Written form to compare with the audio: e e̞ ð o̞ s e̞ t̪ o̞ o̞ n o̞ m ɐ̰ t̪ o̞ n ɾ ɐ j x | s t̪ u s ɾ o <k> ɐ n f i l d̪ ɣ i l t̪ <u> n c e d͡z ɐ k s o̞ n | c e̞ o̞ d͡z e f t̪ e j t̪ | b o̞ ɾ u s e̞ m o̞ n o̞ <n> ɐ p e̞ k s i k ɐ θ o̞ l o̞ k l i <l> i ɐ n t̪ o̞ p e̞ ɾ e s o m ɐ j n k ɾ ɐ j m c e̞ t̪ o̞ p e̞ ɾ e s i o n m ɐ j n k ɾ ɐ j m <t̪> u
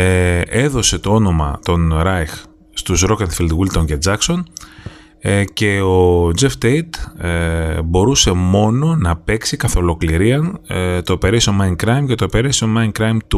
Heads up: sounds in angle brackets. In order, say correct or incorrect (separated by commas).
correct, incorrect, correct, incorrect, correct